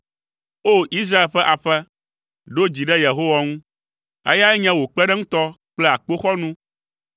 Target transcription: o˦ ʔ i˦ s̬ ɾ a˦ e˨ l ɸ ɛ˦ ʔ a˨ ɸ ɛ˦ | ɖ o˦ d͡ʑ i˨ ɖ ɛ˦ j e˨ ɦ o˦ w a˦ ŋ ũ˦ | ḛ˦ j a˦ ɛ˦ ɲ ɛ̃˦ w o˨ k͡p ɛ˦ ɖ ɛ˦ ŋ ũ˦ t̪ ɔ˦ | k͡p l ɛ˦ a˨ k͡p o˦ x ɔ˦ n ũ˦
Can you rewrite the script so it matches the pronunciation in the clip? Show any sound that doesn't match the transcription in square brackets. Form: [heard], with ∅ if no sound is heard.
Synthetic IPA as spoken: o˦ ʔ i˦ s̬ ɾ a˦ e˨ l ɸ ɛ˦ ʔ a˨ ɸ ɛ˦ | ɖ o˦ d͡ʑ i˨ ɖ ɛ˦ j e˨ ɦ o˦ w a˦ ŋ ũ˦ | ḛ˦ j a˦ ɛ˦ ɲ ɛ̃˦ w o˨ k͡p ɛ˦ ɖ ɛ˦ ŋ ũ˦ t̪ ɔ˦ | k͡p l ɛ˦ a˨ k͡p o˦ x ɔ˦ n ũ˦